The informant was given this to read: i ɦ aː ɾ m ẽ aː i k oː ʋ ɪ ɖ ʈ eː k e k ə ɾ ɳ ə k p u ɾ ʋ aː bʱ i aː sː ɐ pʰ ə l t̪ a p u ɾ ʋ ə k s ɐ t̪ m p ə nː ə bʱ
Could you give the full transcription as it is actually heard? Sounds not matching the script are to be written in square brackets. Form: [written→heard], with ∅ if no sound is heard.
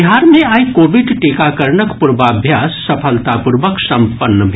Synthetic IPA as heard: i ɦ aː ɾ m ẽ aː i k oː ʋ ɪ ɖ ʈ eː k [e→a] k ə ɾ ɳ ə k p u ɾ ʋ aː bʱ [i→j] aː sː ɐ pʰ ə l t̪ a p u ɾ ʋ ə k s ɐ [t̪→∅] m p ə nː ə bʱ